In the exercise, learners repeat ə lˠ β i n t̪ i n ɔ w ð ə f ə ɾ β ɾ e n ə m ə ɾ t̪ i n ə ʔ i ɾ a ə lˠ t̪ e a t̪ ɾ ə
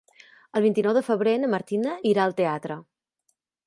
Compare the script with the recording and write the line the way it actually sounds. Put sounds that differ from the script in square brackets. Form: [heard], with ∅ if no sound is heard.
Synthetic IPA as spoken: ə lˠ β i n t̪ i n ɔ w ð ə f ə [∅] β ɾ e n ə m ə ɾ t̪ i n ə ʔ i ɾ a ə lˠ t̪ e a t̪ ɾ ə